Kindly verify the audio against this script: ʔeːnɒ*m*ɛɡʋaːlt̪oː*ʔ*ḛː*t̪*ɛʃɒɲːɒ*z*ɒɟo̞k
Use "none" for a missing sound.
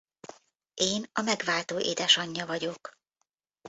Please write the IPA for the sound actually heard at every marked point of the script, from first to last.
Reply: m, ʔ, d̪, v

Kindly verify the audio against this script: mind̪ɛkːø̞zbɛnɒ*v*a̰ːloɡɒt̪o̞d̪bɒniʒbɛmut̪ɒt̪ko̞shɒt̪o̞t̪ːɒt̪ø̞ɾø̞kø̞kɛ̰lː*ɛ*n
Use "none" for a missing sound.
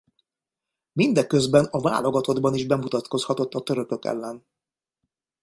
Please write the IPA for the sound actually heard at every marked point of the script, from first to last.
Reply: v, ɛ

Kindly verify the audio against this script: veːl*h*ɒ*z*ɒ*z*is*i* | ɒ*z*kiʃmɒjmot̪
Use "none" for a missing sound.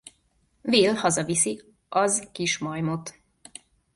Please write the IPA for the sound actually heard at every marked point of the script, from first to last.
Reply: h, z, v, i, z

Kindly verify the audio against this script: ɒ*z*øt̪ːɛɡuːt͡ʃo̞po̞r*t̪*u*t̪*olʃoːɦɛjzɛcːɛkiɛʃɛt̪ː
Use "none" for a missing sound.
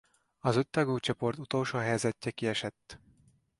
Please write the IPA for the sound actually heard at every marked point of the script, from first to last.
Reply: z, t̪, t̪

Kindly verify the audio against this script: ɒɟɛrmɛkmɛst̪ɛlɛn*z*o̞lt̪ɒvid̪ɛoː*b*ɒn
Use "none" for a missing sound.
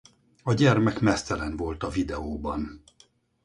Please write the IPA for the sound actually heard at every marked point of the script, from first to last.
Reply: v, b

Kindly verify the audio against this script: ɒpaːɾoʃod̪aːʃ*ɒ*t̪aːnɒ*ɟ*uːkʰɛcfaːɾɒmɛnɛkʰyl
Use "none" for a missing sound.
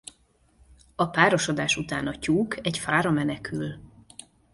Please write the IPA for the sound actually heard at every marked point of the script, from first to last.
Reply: u, c

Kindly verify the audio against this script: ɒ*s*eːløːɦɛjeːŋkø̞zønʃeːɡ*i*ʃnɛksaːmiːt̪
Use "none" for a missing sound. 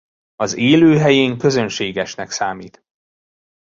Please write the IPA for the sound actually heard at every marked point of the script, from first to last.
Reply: z, ɛ

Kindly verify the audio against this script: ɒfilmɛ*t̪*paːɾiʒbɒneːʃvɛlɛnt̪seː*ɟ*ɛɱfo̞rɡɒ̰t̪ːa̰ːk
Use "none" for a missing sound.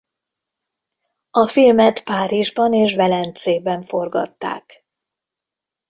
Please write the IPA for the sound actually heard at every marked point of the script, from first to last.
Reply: t̪, b

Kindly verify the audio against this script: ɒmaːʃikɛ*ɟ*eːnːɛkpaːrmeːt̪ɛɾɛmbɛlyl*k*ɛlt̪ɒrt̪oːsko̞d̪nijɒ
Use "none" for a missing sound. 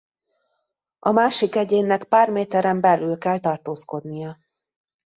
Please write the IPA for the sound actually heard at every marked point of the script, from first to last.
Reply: ɟ, k

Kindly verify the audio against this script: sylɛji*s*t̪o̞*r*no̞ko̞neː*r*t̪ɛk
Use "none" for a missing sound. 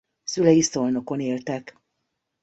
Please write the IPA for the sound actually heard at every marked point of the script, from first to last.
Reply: s, l, l

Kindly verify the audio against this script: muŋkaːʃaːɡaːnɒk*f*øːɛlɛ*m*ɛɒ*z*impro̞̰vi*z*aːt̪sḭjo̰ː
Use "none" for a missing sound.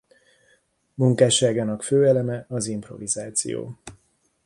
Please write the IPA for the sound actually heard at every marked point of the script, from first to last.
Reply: f, m, z, z

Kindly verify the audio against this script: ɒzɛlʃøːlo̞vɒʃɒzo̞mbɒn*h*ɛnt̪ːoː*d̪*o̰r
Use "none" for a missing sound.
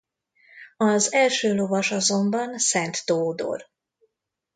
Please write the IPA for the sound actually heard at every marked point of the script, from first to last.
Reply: s, d̪

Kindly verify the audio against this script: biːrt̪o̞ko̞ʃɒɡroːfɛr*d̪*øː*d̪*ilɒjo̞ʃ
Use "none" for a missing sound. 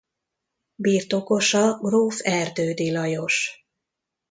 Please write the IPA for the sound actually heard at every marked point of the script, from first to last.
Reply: d̪, d̪

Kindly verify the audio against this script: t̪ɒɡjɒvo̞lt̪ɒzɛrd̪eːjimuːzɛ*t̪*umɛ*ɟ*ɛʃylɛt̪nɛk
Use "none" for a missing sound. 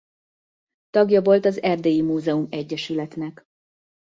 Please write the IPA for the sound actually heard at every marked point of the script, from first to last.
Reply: none, ɟː

